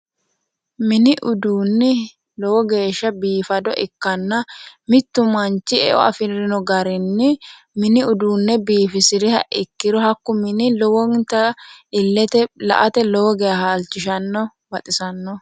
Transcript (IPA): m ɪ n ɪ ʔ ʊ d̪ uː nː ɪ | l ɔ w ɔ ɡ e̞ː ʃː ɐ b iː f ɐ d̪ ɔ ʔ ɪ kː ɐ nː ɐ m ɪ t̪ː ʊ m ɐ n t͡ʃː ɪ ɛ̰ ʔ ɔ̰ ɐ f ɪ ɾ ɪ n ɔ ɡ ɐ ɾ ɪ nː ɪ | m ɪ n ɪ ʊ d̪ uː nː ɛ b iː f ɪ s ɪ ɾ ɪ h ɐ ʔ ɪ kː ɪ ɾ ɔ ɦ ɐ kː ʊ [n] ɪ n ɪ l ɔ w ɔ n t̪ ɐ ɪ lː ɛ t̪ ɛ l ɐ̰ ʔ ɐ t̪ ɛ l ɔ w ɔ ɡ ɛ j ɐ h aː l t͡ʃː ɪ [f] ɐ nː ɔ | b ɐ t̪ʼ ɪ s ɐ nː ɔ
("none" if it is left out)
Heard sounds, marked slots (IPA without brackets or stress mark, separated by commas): m, ʃ